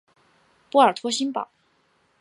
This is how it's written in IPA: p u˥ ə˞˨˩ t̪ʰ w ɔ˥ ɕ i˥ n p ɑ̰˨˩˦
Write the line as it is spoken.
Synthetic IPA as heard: p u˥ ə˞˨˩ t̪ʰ w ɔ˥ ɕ i˥ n p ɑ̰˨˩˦